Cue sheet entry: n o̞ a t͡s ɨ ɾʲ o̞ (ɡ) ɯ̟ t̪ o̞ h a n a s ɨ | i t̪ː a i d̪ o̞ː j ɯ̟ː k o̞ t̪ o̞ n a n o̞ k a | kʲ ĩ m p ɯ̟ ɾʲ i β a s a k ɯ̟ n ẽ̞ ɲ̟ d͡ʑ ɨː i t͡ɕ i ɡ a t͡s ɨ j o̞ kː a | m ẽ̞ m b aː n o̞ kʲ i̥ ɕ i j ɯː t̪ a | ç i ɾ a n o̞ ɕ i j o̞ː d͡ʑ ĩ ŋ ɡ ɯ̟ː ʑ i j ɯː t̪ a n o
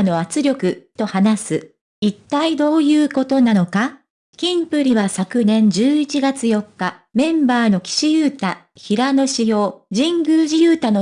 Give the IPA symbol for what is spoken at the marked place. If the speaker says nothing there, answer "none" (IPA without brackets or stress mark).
k